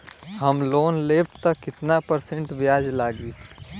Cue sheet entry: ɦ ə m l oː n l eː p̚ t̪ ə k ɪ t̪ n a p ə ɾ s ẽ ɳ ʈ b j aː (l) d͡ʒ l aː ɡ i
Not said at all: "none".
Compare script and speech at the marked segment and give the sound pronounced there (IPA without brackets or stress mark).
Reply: none